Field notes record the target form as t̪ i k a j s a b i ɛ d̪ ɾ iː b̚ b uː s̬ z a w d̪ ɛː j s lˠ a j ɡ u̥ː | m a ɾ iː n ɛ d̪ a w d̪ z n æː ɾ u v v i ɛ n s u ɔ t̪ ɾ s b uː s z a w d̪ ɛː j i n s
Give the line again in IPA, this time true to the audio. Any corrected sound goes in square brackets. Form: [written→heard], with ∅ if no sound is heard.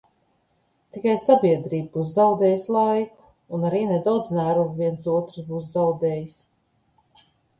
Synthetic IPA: t̪ i k a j s a b i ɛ d̪ ɾ iː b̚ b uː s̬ z a w d̪ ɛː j s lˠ a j [ɡ→k] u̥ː | [m→n] a ɾ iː n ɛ d̪ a w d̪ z n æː ɾ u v v i ɛ n s u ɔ t̪ ɾ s b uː s z a w d̪ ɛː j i [n→∅] s